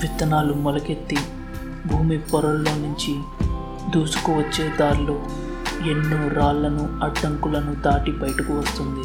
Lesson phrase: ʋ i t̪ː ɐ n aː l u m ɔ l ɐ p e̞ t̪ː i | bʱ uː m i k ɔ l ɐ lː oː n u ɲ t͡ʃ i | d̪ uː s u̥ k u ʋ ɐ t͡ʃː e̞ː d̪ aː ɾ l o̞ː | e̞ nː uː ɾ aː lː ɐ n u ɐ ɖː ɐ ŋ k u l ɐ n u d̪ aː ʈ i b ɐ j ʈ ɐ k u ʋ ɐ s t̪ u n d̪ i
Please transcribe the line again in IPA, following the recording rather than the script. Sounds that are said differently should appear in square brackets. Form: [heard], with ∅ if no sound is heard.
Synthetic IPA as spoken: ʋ i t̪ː ɐ n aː l u m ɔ l ɐ [k] e̞ t̪ː i | bʱ uː m i [p] ɔ [ɾ] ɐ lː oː n u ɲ t͡ʃ i | d̪ uː s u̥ k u ʋ ɐ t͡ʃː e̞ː d̪ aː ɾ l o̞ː | e̞ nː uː ɾ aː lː ɐ n u ɐ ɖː ɐ ŋ k u l ɐ n u d̪ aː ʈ i b ɐ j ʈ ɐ k u ʋ ɐ s t̪ u n d̪ i